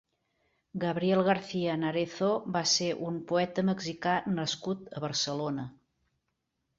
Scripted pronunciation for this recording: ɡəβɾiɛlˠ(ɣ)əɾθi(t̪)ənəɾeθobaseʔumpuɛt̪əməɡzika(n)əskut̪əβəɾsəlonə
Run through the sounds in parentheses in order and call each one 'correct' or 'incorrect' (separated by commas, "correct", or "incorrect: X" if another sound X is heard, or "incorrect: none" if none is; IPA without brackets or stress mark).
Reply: correct, incorrect: none, correct